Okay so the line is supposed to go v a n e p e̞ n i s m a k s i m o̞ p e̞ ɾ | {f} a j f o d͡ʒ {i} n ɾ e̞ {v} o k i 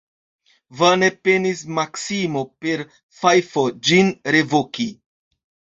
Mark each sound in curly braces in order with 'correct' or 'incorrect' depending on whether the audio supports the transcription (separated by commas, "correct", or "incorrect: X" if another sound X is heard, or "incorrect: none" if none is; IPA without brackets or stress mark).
correct, correct, correct